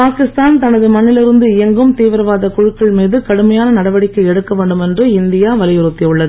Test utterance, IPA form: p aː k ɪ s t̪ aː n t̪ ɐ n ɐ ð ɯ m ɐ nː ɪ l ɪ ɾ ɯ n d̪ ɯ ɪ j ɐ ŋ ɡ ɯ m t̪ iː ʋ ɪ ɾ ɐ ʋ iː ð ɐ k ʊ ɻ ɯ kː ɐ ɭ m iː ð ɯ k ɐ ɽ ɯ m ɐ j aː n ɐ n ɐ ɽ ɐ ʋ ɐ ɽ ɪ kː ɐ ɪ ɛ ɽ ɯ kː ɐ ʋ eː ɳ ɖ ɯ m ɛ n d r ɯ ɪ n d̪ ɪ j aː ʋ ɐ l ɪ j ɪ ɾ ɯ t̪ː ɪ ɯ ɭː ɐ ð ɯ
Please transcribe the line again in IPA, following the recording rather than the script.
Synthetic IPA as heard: p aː k ɪ s t̪ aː n t̪ ɐ n ɐ ð ɯ m ɐ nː ɪ l ɪ ɾ ɯ n d̪ ɯ ɪ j ɐ ŋ ɡ ɯ m t̪ iː ʋ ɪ ɾ ɐ ʋ aː ð ɐ k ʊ ɻ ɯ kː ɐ ɭ m iː ð ɯ k ɐ ɽ ɯ m ɐ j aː n ɐ n ɐ ɽ ɐ ʋ ɐ ɽ ɪ kː ɐ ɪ ɛ ɽ ɯ kː ɐ ʋ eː ɳ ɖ ɯ m ɛ n d r ɯ ɪ n d̪ ɪ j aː ʋ ɐ l ɪ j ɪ ɾ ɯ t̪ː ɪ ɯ ɭː ɐ ð ɯ